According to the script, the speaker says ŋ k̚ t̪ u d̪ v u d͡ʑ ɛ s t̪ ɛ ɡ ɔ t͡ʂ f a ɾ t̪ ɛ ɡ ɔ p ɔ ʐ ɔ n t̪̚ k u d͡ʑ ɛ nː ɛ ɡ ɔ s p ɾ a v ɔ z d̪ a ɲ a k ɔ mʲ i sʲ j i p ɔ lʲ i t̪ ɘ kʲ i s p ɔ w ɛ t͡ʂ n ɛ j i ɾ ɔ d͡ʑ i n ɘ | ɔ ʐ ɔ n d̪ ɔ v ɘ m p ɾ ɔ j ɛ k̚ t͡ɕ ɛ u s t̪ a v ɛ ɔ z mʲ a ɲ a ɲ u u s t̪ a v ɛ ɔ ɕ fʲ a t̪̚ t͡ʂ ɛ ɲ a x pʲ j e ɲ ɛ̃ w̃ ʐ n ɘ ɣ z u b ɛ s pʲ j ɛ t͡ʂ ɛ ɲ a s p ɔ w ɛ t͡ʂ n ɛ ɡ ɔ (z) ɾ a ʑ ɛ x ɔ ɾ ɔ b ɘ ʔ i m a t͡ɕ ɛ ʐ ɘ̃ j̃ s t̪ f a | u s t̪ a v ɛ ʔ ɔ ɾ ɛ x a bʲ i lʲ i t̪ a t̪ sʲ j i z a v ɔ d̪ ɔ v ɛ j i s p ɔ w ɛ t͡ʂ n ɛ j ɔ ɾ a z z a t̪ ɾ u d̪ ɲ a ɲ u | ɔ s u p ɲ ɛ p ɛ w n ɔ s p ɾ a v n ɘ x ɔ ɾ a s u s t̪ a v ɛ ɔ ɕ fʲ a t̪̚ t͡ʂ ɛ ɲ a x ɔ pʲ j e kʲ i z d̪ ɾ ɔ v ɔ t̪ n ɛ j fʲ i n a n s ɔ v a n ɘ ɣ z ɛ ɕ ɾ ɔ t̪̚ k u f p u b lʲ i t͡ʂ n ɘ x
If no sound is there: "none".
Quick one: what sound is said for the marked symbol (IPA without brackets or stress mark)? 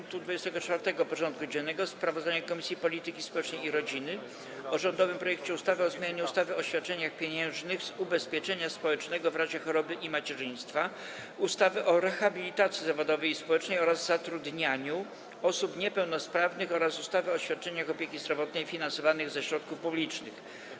v